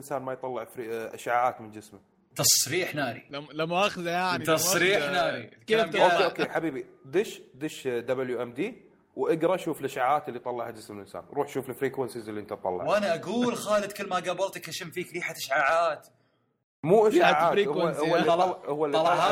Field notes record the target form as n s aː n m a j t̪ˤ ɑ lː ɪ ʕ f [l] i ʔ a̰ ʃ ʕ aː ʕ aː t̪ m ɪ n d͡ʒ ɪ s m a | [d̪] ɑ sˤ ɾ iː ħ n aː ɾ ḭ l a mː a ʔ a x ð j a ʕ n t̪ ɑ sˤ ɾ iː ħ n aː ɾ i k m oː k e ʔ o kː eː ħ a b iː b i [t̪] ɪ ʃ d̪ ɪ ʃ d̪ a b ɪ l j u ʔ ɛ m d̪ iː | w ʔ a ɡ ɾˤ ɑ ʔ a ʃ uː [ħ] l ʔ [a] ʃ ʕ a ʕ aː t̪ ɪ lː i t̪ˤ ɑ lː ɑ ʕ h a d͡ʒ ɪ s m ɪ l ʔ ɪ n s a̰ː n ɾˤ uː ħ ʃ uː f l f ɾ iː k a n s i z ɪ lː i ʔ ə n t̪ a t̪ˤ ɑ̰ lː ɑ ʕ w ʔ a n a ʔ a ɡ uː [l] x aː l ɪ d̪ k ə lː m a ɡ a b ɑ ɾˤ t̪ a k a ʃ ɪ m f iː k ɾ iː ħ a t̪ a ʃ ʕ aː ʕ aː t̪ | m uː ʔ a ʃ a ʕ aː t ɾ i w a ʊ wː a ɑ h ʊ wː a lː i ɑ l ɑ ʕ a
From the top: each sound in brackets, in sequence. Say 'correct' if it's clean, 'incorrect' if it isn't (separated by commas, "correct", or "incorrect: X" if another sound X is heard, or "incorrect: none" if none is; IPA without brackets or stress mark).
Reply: incorrect: ɾ, incorrect: t̪, incorrect: d̪, incorrect: f, correct, correct